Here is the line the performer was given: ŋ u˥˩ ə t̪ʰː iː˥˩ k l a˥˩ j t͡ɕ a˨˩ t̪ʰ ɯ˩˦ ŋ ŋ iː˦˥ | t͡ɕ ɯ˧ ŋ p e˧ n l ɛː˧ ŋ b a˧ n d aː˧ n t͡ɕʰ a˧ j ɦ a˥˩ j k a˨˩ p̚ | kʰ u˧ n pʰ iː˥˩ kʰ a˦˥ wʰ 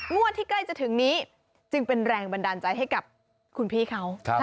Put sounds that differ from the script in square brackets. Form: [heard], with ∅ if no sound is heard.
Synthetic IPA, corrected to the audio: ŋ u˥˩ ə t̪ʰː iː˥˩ k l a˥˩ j t͡ɕ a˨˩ t̪ʰ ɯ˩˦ ŋ [n] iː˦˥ | t͡ɕ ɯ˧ ŋ p e˧ n [ɾ] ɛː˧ ŋ b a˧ n d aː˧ n [t͡ɕ] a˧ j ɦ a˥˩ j k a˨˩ p̚ | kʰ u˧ n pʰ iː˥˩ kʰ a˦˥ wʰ